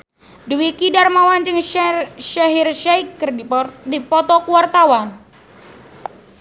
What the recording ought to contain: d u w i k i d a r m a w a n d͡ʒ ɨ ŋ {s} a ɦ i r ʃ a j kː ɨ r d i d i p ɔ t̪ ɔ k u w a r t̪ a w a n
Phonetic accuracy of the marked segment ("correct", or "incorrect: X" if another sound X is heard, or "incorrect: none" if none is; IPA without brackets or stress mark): incorrect: ʃ